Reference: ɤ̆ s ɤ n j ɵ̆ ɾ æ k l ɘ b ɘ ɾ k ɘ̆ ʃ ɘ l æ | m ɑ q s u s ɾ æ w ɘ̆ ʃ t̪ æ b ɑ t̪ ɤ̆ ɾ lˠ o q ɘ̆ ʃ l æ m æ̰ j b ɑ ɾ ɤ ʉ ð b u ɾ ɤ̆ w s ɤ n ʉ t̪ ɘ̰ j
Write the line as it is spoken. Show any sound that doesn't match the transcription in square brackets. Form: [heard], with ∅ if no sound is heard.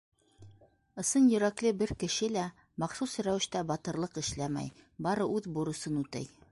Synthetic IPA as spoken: ɤ̆ s ɤ n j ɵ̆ ɾ æ k l ɘ b ɘ ɾ k ɘ̆ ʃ ɘ l æ | m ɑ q s u s ɾ æ w ɘ̆ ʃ t̪ æ b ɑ t̪ ɤ̆ ɾ lˠ [ɤ] q ɘ̆ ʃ l æ m æ̰ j b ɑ ɾ ɤ ʉ ð b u ɾ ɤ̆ [∅] s ɤ n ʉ t̪ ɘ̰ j